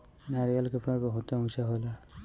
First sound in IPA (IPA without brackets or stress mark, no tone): n